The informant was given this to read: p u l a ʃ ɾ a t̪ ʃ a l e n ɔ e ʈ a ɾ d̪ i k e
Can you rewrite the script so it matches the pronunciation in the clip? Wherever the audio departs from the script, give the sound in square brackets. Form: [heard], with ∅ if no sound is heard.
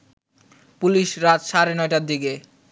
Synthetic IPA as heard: p u l [i] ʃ ɾ a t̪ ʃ a [ɾ] e n ɔ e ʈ a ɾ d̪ i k e